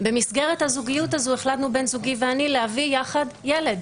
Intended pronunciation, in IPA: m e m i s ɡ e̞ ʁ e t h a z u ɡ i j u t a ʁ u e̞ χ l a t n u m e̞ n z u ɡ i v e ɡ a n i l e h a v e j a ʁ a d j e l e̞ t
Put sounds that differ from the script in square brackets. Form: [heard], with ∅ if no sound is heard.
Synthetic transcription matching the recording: [b] e m i s ɡ e̞ ʁ e t h a z u ɡ i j u t a [z] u e̞ χ l a t n u [b] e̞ n z u ɡ i v e [∅] a n i l e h a v [i] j a [χ] a d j e l e̞ [d]